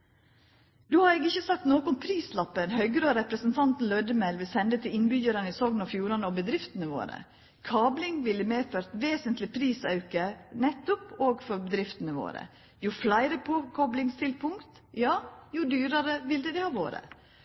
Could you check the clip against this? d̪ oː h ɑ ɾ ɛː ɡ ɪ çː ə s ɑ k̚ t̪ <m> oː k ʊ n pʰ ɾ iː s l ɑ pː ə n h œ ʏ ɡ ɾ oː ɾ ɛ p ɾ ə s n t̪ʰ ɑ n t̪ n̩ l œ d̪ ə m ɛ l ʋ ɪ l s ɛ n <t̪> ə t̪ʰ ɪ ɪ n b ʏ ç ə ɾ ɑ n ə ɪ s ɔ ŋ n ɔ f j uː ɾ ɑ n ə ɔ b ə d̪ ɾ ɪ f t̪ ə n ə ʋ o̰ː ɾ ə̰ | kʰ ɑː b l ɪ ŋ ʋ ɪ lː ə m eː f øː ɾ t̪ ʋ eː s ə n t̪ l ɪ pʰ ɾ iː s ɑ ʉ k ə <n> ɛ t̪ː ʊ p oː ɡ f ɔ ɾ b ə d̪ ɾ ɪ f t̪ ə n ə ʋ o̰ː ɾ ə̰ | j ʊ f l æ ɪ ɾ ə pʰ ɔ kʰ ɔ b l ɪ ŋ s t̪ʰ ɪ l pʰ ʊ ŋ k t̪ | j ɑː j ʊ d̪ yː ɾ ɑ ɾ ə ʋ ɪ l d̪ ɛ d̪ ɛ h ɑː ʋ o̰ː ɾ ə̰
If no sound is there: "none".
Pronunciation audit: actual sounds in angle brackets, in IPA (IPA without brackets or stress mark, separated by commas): n, d̪, n